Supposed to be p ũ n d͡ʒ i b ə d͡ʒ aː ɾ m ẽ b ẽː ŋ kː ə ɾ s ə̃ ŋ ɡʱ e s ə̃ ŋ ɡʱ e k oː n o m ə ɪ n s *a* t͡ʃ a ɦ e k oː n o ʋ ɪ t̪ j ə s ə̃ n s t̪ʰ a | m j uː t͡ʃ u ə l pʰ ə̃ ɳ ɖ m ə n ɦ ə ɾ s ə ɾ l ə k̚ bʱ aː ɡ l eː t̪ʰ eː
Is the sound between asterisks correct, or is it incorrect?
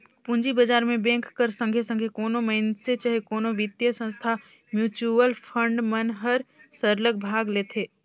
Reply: incorrect